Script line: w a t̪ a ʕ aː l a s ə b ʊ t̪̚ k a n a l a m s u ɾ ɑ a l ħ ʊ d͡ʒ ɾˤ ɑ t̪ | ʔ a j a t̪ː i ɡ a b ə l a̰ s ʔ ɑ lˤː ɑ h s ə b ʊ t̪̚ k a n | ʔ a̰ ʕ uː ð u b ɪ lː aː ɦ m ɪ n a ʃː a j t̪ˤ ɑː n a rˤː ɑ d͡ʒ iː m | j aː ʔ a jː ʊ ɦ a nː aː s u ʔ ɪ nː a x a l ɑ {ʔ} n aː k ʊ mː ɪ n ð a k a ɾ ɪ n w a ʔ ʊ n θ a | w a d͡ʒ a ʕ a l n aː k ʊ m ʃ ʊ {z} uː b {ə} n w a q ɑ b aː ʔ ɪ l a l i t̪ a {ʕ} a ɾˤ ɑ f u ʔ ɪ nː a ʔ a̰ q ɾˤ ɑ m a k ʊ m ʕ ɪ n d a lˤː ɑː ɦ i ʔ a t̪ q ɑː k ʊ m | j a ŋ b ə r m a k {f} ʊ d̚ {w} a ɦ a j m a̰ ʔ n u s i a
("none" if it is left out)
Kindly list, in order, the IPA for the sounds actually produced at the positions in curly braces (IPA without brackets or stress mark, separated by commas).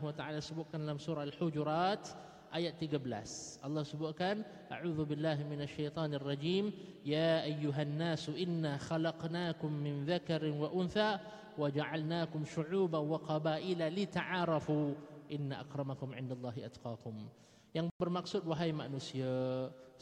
q, ʕ, a, ʕ, s, w